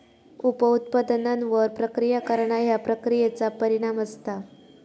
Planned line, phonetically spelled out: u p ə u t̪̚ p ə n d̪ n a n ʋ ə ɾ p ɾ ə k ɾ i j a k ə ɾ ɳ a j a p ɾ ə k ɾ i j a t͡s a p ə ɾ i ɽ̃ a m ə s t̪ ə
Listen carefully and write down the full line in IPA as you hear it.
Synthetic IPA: u p ə u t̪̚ p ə d̪ n a n ʋ ə ɾ p ɾ ə k ɾ i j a k ə ɾ ɳ a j a p ɾ ə k ɾ i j e t͡s a p ə ɾ i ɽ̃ a m ə s t̪ a